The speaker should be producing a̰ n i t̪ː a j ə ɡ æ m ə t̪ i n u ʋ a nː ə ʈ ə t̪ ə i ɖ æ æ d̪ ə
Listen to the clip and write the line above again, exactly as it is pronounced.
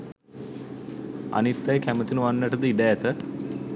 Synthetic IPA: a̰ n i t̪ː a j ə k æ m ə t̪ i n u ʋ a nː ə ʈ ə d̪ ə i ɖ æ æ t̪ ə